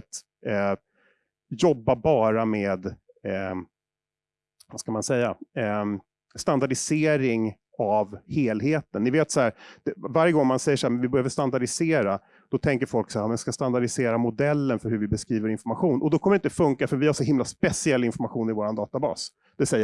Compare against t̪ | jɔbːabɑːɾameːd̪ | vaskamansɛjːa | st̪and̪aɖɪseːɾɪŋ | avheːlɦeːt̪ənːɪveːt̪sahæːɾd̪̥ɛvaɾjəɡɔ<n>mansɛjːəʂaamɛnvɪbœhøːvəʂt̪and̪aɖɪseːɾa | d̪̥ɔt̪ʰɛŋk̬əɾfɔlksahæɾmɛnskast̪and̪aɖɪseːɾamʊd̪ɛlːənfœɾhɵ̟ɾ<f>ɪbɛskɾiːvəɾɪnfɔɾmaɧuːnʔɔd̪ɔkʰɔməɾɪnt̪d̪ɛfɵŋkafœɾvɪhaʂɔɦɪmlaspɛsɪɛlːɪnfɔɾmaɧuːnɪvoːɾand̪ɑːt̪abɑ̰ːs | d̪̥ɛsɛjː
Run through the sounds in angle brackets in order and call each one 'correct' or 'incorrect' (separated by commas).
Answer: incorrect, incorrect